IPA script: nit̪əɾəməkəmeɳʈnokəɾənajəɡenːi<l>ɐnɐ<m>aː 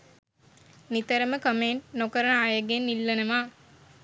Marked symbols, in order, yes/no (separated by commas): no, yes